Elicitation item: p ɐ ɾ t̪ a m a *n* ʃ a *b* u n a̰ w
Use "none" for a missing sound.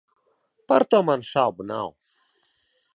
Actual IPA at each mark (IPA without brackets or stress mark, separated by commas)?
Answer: n, b